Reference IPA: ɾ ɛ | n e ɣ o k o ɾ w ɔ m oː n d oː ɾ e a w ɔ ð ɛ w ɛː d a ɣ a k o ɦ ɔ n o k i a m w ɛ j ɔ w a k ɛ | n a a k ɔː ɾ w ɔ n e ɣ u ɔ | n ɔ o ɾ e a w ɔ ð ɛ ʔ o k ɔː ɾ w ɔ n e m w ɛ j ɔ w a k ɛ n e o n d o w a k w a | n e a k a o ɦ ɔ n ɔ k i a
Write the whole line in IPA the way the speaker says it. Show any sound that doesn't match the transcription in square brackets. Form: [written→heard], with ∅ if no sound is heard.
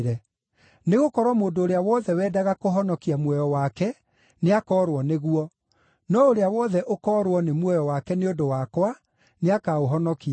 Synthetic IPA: ɾ ɛ | n e ɣ o k [o→ɔ] ɾ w ɔ m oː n d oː ɾ e a w ɔ ð ɛ w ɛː d a ɣ a k o ɦ ɔ n [o→ɔ] k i a m w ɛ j ɔ w a k ɛ | n [a→e] a k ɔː ɾ w ɔ n e ɣ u ɔ | n ɔ o ɾ e a w ɔ ð ɛ ʔ o k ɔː ɾ w ɔ n e m w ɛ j ɔ w a k ɛ n e o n d o w a k w a | n e a k a o ɦ ɔ n ɔ k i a